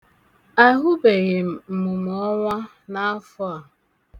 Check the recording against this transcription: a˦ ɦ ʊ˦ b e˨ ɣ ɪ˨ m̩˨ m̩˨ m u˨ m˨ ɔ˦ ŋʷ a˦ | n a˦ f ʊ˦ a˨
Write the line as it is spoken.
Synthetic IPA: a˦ ɦ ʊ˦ b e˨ ɣ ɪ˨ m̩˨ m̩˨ m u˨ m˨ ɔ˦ ŋʷ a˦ | n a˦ f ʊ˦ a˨